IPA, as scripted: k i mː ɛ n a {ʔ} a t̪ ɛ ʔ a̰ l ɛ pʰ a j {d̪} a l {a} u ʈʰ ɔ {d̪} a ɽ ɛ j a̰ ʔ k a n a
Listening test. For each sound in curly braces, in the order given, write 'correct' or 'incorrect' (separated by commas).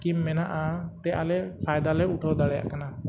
correct, correct, incorrect, correct